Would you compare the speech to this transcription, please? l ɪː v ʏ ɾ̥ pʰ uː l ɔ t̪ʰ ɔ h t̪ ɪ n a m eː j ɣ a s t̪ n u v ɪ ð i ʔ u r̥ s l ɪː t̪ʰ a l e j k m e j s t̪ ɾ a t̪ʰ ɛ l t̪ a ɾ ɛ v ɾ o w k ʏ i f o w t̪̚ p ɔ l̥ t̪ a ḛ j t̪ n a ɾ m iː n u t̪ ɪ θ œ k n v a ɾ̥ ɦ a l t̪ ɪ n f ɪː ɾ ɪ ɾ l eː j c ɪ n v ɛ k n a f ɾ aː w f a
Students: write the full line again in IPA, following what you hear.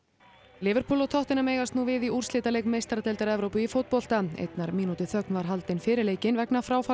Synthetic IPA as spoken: l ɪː v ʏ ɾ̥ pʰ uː l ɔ t̪ʰ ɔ h t̪ ɪ n a m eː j ɣ a s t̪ n u v ɪ ð i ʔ u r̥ s l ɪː t̪ a l e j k m e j s t̪ ɾ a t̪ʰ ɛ l t̪ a ɾ ɛ v ɾ o w p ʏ i f o w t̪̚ p ɔ l̥ t̪ a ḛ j t̪ n a ɾ m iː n u t̪ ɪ θ œ k n v a ɾ̥ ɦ a l t̪ ɪ n f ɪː ɾ ɪ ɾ l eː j c ɪ n v ɛ k n a f ɾ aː w f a